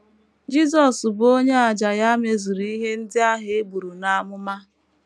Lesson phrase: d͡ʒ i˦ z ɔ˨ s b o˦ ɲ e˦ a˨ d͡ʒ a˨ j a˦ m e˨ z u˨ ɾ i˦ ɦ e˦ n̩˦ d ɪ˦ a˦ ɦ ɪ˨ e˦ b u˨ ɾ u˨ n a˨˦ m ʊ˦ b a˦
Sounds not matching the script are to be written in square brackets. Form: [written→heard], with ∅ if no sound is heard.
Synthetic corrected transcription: d͡ʒ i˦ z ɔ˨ s b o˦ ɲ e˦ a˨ d͡ʒ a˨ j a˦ m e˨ z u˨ ɾ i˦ ɦ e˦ n̩˦ d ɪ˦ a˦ ɦ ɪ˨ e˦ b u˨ ɾ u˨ n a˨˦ m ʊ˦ [b→m] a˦